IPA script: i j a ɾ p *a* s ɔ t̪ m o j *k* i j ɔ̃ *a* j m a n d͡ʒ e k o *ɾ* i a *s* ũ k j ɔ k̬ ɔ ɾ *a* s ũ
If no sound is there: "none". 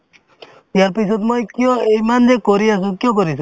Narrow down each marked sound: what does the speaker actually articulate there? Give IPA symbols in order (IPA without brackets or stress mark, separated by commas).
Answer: i, k, e, ɾ, s, i